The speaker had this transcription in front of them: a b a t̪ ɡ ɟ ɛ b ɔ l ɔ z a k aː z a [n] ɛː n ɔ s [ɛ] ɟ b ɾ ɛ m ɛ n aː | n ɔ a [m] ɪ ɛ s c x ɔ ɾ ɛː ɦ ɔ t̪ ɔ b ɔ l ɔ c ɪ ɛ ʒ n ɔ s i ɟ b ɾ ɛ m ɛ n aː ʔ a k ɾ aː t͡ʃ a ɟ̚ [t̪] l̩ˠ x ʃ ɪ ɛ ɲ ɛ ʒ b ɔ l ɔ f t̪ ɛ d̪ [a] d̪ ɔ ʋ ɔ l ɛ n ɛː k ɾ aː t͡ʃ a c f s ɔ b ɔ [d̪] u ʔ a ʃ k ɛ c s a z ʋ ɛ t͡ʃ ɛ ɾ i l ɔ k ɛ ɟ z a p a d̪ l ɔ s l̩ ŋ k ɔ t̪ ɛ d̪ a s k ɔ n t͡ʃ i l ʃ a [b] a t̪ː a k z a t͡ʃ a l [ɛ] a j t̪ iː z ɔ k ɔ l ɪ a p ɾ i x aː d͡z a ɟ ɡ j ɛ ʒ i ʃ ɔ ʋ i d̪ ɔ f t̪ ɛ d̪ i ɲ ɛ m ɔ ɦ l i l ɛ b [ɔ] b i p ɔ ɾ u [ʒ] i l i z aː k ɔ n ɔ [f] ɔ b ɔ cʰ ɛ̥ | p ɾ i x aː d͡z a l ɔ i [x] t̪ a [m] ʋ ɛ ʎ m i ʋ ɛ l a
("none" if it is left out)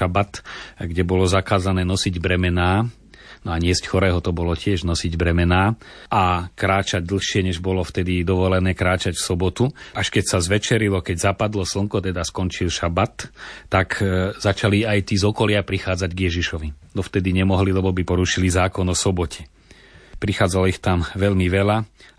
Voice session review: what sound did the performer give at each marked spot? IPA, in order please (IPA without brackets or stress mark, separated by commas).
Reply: n, i, ɲ, d̪, i, t̪, b, i, ɔ, ʃ, s, x, m